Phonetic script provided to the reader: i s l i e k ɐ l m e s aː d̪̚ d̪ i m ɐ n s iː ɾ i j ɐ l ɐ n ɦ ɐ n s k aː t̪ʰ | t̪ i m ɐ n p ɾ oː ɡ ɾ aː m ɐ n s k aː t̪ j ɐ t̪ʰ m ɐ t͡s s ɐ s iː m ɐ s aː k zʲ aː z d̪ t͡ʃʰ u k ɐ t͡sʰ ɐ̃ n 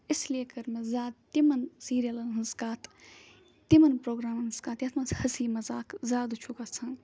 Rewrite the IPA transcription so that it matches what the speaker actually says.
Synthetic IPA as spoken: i s l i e k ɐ ɾ m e z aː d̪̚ t̪ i m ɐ n s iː ɾ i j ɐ l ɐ n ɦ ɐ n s k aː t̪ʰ | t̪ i m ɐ n p ɾ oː ɡ ɾ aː m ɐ n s k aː t̪ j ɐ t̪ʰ m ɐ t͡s h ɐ s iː m ɐ z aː k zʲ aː d̪ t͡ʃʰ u k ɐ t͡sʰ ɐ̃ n